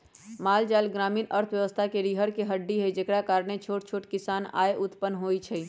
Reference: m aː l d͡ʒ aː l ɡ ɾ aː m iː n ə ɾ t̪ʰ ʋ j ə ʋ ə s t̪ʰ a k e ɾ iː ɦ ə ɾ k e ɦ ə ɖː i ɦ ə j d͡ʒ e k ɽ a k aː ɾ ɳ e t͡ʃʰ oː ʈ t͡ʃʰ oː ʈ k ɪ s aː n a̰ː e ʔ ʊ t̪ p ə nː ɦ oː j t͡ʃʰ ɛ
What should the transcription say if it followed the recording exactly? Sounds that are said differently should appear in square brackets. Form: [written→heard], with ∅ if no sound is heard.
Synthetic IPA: m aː l d͡ʒ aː l ɡ ɾ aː m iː n ə ɾ t̪ʰ ʋ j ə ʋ ə s t̪ʰ a k e ɾ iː ɦ ə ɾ k e ɦ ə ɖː i ɦ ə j d͡ʒ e k ɽ a k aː ɾ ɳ e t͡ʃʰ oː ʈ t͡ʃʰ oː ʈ k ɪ s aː n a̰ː e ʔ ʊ t̪ p ə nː ɦ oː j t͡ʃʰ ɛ

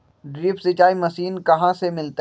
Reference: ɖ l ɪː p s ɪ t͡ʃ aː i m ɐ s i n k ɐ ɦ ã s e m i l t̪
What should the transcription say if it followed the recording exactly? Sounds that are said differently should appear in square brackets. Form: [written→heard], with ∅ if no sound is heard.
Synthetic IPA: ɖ [l→ɾ] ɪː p s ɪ t͡ʃ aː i m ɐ s [i→iː] n k ɐ ɦ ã s e m [i→ɪ] l t̪

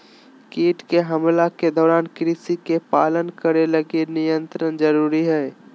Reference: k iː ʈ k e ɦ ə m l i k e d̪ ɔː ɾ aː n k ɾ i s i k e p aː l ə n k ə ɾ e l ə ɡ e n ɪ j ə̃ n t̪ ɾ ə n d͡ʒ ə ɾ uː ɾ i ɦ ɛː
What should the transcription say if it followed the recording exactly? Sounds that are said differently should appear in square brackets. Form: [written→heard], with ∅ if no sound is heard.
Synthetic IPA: k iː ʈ k e ɦ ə m l [i→a] k e d̪ ɔː ɾ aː n k ɾ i s i k e p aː l ə n k ə ɾ e l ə ɡ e n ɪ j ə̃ n t̪ ɾ ə n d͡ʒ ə ɾ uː ɾ i ɦ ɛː

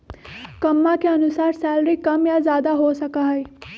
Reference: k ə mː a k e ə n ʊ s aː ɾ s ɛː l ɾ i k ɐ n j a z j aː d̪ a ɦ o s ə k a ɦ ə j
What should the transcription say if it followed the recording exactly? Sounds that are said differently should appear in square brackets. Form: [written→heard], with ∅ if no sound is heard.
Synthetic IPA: k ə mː a k e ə n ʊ s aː ɾ s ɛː l ɾ i k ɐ [n→m] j a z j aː d̪ a ɦ o s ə k a ɦ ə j

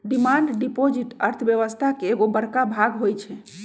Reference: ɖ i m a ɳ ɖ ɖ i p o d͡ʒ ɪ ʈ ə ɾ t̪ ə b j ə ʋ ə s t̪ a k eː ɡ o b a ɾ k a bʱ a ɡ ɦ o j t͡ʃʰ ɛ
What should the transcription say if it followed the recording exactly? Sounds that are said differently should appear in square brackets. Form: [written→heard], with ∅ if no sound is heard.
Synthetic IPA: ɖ i m a ɳ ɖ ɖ i p o d͡ʒ [ɪ→i] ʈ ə ɾ [t̪→t̪ʰ] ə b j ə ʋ ə s [t̪→t̪ʰ] a k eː ɡ o b [a→ə] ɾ k a bʱ a ɡ ɦ o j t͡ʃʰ ɛ

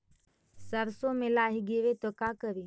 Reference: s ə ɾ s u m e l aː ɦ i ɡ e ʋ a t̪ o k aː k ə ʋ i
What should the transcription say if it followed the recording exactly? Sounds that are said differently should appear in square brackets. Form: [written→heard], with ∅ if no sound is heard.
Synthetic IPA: s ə ɾ s [u→o] m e l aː ɦ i ɡ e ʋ [a→e] t̪ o k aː k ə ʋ i

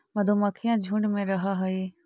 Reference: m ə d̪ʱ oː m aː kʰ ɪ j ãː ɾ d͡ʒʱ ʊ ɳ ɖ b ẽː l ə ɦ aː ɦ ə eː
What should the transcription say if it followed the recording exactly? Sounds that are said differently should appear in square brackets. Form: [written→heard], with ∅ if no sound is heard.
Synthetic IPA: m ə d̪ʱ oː m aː kʰ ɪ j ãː [ɾ→∅] d͡ʒʱ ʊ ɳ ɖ [b→m] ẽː [l→ɾ] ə ɦ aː ɦ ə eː

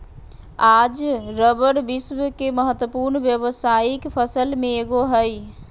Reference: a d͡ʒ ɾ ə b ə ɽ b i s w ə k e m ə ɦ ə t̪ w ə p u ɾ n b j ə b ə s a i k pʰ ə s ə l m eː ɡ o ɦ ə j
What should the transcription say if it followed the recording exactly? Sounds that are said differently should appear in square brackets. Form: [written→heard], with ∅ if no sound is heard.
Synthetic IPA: a d͡ʒ ɾ ə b ə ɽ b i s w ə k e m ə ɦ ə t̪ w ə p u ɾ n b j ə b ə s a i k pʰ ə s ə l m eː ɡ o ɦ ə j

